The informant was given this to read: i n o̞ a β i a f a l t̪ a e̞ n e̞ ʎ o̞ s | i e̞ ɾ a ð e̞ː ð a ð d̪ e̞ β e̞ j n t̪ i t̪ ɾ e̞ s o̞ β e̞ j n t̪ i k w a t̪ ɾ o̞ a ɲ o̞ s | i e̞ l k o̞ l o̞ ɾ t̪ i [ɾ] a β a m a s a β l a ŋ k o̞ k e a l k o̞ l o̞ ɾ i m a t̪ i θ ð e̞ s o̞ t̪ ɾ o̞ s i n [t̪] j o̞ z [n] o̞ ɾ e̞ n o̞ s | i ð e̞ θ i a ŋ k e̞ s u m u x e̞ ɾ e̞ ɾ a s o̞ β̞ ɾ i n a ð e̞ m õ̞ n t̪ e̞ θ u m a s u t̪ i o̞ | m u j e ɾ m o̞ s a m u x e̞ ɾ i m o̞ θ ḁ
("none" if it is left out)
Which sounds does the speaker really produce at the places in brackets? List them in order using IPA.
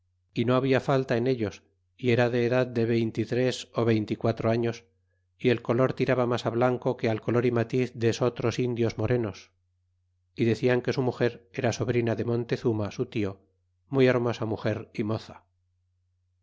ɾ, d̪, m

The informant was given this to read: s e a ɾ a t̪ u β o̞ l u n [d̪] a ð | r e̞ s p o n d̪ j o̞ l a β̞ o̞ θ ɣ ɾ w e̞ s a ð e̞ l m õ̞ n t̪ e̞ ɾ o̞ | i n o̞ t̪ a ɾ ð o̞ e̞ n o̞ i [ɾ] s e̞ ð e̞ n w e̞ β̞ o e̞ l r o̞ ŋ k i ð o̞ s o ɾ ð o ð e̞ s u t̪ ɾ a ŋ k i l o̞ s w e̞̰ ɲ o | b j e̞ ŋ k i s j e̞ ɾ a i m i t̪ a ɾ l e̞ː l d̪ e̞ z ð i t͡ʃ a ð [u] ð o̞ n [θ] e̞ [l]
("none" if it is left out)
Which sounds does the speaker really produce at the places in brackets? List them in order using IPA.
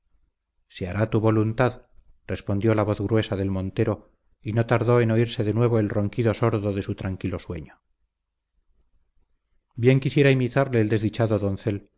t̪, ɾ, o, θ, l

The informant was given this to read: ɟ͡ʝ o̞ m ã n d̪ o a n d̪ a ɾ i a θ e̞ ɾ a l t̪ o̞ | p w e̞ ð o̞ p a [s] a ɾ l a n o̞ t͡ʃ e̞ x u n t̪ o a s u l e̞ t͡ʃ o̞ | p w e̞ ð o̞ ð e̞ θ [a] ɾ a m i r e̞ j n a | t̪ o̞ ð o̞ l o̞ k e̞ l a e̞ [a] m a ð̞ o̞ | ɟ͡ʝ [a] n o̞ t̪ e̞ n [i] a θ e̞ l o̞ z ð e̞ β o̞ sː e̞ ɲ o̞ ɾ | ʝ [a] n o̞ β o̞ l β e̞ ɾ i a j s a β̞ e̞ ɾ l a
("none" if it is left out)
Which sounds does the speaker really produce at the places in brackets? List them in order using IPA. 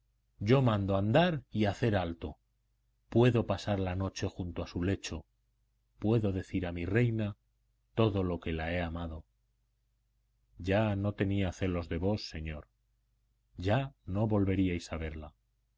s, i, a, a, i, a

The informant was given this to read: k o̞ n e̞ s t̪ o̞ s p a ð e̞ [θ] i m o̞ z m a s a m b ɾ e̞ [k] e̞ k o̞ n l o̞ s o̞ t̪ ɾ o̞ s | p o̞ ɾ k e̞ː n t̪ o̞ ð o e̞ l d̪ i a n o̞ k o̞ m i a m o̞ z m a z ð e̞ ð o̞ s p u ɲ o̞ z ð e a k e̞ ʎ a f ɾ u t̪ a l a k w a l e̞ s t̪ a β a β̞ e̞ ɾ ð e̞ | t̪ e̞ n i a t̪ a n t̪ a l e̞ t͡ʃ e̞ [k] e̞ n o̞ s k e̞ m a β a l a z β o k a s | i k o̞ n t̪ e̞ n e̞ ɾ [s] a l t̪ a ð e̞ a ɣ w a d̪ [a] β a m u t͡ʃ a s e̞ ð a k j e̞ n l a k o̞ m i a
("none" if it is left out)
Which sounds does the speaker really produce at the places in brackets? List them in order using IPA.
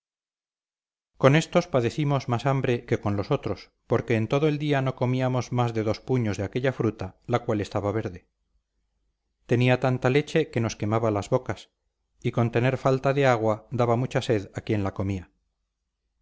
θ, k, k, f, a

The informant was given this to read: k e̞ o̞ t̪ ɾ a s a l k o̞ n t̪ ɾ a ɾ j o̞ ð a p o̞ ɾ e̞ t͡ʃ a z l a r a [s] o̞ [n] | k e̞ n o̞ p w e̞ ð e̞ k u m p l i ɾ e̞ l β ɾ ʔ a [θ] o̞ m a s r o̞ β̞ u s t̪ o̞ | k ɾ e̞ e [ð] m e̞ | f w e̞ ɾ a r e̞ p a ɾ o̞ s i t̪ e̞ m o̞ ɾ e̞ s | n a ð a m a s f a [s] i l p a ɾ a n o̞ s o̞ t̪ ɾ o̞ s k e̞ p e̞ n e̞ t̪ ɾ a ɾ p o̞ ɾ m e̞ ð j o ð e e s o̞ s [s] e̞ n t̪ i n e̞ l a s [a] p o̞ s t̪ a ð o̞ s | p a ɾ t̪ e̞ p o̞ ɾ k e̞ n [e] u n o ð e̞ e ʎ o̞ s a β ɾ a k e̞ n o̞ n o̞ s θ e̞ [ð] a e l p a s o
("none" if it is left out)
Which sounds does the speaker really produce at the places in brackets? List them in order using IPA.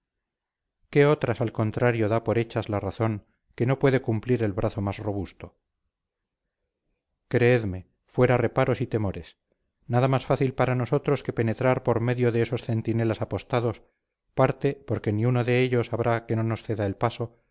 θ, ŋ, θ, ð, θ, θ, a, i, ð

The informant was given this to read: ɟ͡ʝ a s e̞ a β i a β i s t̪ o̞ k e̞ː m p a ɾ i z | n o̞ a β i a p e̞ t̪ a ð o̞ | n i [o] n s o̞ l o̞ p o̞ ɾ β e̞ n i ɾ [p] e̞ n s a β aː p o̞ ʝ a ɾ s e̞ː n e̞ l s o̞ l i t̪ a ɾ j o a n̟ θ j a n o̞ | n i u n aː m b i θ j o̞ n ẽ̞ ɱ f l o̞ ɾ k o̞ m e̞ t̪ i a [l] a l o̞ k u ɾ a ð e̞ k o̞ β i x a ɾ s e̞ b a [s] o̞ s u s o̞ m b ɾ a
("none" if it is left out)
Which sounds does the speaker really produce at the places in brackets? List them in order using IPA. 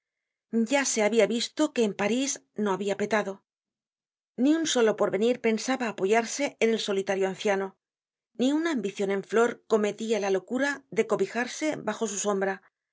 u, p, l, x

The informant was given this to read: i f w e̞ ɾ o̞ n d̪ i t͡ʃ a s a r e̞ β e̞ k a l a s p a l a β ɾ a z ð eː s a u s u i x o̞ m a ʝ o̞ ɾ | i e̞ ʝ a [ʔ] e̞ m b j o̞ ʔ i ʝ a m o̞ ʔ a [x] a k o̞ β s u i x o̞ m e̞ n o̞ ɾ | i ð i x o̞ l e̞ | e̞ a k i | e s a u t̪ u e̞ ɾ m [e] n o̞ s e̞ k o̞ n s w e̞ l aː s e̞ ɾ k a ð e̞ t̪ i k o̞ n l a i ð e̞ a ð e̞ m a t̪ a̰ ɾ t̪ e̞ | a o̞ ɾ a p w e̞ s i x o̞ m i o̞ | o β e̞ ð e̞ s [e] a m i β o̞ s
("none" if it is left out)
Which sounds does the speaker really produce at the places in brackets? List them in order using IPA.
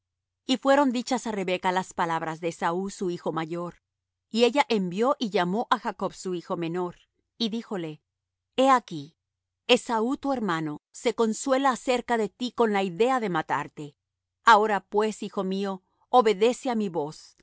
ʔ, x, a, e

